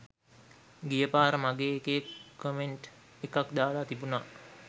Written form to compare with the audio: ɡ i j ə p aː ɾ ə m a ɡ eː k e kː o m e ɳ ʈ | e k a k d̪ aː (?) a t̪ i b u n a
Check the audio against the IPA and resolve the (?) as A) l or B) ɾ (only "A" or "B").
A